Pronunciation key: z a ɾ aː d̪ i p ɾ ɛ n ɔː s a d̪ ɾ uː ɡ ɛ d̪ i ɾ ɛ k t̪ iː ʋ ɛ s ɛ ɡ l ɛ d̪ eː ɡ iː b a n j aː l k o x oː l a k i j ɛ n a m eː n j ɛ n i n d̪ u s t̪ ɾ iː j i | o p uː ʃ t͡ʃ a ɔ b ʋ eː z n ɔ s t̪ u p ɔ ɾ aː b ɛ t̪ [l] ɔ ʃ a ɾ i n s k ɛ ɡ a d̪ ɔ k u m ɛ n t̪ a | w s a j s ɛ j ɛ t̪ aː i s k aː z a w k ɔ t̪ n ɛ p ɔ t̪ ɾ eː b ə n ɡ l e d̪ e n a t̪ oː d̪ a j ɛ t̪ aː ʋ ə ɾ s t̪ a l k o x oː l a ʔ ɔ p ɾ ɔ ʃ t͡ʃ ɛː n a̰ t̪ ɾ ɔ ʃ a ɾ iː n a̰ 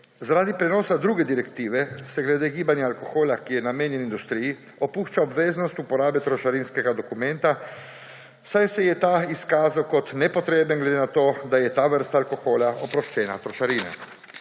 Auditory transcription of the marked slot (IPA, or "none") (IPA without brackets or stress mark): ɾ